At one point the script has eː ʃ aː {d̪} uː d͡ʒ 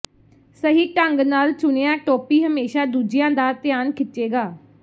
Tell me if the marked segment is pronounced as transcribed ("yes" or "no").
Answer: yes